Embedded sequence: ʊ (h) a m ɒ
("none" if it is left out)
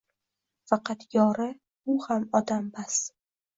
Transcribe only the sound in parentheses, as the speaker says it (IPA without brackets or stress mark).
h